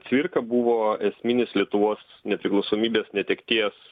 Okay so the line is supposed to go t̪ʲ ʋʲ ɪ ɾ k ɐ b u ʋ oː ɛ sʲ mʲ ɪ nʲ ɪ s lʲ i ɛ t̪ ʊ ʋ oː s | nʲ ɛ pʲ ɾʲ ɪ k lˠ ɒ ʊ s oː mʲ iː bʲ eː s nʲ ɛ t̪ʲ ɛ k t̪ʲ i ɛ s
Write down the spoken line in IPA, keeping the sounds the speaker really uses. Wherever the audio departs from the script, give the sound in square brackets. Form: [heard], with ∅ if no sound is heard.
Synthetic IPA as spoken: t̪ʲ ʋʲ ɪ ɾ k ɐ b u ʋ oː ɛ sʲ mʲ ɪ nʲ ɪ s lʲ i ɛ t̪ ʊ ʋ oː s | nʲ ɛ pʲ ɾʲ ɪ k lˠ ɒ ʊ s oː mʲ iː bʲ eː s nʲ ɛ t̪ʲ ɛ k t̪ʲ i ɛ s